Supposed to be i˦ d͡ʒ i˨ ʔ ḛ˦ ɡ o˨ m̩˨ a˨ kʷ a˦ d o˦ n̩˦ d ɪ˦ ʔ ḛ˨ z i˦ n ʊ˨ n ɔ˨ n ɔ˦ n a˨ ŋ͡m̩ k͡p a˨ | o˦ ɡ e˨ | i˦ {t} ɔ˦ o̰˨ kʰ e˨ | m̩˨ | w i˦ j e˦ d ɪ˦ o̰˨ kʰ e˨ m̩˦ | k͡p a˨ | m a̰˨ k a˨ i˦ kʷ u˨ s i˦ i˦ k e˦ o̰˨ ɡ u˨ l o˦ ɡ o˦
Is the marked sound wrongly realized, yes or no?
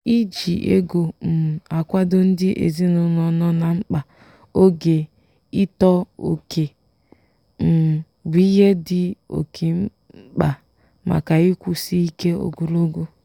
no